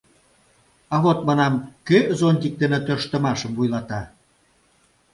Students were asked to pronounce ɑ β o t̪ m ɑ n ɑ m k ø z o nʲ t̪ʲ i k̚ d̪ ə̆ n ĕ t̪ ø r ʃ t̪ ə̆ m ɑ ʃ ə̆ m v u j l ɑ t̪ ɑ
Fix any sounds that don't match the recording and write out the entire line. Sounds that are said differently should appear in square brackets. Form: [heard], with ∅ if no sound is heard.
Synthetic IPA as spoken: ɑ β o t̪ m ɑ n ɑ m k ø z o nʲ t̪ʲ i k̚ d̪ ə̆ n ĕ t̪ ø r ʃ t̪ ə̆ m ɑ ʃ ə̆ m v u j l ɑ t̪ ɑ